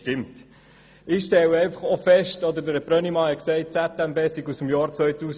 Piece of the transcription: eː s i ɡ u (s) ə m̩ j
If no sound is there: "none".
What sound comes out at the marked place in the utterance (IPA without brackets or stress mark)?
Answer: s